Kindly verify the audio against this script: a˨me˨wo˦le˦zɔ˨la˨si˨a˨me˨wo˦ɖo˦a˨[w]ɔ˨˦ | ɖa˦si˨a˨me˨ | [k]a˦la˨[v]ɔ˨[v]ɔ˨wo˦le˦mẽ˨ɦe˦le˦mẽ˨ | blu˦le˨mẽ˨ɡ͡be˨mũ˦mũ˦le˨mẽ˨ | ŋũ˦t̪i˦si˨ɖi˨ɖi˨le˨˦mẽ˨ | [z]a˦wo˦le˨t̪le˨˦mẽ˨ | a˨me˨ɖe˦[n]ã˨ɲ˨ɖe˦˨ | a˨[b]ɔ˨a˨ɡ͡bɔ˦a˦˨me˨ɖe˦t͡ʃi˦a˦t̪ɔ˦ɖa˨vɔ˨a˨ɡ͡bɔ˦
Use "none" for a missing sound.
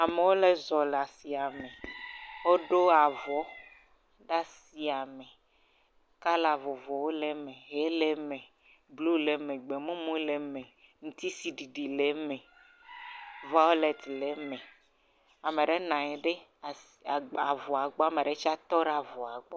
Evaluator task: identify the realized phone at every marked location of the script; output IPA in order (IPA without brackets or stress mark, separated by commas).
v, k, v, v, v, n, v